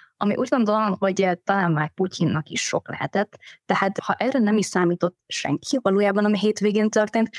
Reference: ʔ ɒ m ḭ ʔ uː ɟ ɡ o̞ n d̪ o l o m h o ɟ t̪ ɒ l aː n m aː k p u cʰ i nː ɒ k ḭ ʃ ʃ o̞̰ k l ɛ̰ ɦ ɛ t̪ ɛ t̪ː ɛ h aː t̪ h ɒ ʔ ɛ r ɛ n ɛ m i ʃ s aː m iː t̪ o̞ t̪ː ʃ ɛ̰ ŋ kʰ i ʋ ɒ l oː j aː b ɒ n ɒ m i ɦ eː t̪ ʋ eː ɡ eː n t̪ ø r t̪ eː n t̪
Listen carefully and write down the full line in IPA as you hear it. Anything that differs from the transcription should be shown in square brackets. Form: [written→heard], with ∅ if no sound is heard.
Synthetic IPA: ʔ ɒ m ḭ ʔ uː ɟ ɡ o̞ n d̪ o l o m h o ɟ t̪ ɒ l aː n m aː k p u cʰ i nː ɒ k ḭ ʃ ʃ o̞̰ k l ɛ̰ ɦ ɛ t̪ ɛ t̪ː ɛ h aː t̪ h ɒ ʔ ɛ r ɛ n ɛ m i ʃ s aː m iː t̪ o̞ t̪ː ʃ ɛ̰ ŋ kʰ i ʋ ɒ l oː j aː b ɒ n ɒ m i ɦ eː t̪ ʋ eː ɡ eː n t̪ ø r t̪ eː n t̪